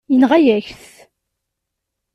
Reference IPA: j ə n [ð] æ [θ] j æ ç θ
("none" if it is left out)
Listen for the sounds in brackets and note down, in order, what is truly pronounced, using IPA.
ʁ, none

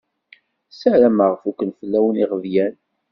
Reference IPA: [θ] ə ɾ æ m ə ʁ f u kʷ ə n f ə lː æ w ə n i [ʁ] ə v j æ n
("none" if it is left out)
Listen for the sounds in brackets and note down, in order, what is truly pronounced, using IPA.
s, ʁ

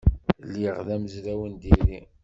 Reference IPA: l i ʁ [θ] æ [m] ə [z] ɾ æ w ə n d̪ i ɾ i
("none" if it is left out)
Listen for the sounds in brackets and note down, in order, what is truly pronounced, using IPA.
ð, m, z

